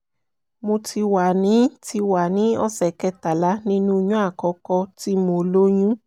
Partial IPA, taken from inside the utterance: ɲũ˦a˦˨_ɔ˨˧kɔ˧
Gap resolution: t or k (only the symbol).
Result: k